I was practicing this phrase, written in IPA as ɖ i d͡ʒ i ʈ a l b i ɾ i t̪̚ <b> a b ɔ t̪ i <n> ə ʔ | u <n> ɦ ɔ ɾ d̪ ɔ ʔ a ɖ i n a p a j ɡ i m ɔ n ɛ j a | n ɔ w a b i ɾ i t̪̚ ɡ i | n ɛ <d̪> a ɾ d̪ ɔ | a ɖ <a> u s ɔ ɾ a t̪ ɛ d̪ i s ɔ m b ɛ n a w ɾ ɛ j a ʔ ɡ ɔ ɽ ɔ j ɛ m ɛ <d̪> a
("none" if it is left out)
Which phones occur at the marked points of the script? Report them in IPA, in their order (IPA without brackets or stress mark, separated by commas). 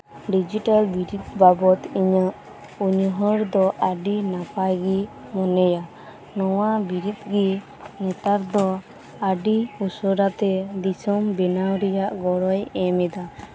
b, ɲ, ɲ, t̪, i, d̪